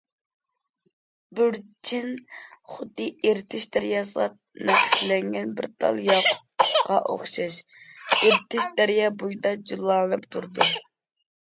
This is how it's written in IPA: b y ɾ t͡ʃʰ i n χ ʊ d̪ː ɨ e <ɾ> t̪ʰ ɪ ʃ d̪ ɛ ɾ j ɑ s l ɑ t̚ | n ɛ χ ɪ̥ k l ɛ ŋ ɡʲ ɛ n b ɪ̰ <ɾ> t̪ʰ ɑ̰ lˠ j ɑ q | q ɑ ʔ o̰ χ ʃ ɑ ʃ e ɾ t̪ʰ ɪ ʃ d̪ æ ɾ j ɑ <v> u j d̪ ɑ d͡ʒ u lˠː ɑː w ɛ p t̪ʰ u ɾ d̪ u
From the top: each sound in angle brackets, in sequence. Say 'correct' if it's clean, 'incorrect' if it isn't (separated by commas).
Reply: correct, correct, incorrect